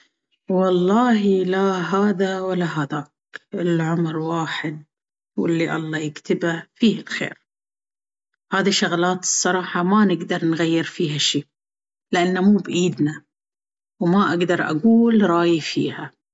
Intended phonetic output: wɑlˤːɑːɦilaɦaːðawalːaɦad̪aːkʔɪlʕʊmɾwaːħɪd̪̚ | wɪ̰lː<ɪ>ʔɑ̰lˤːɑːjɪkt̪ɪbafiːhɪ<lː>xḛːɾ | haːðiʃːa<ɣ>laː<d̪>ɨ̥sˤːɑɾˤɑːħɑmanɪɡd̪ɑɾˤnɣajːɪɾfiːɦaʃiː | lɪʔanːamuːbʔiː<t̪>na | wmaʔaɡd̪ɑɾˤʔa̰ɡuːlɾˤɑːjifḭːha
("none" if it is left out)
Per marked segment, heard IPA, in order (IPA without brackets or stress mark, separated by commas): i, l, ɣ, t̪, d̪